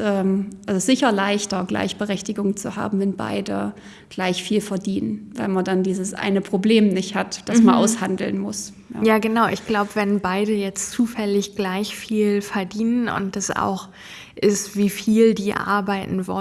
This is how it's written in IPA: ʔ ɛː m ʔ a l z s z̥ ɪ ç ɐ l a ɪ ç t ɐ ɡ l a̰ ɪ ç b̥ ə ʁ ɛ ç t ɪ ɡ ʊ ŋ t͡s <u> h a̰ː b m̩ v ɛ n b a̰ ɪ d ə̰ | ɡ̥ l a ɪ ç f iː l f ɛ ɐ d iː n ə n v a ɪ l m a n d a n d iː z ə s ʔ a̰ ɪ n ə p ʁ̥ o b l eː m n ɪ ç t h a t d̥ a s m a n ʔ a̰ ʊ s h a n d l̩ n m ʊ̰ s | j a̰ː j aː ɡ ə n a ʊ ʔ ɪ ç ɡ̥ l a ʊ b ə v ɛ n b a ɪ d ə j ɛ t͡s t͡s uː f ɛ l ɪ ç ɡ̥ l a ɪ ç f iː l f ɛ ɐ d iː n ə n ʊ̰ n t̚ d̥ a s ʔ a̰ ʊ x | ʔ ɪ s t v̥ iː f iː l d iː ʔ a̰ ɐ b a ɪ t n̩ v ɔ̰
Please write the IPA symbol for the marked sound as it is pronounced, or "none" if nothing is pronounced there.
u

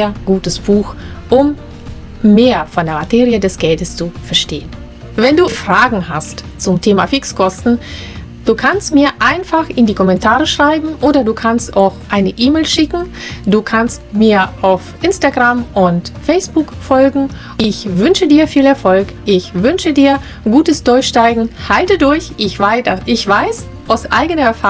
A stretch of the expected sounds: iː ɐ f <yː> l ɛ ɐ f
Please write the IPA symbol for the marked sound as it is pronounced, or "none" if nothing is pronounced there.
iː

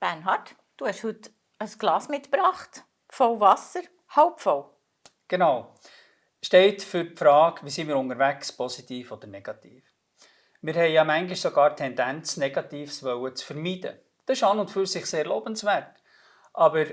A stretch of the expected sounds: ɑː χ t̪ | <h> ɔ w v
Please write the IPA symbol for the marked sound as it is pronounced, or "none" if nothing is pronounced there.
f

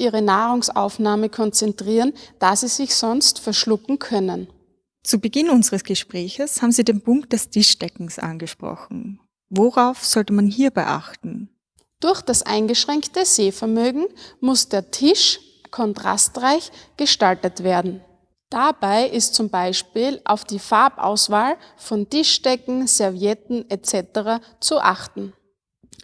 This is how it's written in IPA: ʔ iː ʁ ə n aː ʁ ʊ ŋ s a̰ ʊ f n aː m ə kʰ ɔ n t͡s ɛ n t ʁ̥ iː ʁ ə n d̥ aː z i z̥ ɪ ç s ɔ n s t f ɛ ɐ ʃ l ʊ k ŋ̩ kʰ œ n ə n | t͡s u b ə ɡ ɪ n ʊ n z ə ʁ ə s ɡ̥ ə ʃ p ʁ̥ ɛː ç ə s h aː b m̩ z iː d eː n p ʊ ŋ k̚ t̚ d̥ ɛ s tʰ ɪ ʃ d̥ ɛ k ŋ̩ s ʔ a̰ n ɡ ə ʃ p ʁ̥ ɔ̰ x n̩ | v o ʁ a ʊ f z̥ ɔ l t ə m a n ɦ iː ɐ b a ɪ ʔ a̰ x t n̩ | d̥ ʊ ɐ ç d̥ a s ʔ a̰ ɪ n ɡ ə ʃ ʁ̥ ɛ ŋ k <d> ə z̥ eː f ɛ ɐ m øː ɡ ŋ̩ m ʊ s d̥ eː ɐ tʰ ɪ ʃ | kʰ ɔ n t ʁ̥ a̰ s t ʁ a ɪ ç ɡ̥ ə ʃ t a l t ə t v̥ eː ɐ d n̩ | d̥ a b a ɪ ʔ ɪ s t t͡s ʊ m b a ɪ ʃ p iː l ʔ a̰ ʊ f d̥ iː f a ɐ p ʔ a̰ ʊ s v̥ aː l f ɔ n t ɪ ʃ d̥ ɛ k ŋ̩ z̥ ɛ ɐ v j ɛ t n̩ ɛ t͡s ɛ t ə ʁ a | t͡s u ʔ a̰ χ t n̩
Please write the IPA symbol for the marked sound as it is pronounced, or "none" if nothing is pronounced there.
t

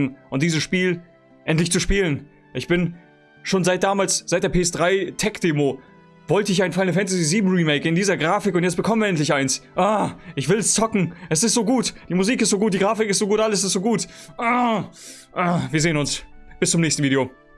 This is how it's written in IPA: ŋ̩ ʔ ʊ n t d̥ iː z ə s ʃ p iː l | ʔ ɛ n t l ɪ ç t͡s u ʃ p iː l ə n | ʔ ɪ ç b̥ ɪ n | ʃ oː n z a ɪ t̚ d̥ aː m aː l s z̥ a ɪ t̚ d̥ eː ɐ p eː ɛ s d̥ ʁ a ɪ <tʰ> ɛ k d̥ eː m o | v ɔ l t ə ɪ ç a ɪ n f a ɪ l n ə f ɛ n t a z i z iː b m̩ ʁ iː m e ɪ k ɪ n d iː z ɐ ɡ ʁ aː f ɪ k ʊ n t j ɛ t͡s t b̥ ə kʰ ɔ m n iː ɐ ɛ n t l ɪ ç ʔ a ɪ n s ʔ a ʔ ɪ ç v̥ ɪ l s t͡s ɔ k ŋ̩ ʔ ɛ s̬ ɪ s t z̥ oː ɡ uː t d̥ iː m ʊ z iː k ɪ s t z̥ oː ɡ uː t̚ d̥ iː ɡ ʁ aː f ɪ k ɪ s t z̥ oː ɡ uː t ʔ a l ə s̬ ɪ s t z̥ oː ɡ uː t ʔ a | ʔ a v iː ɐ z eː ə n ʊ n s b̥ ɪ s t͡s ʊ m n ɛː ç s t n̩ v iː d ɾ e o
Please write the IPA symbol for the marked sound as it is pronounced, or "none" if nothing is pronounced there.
tʰ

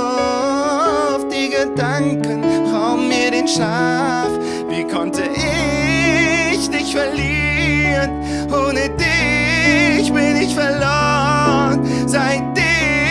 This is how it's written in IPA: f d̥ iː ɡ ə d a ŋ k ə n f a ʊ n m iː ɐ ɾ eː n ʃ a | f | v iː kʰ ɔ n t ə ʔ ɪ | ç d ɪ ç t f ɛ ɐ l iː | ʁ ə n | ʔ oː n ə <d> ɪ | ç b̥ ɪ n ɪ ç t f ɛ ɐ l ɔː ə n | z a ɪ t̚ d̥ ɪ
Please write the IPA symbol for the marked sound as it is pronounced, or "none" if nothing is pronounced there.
d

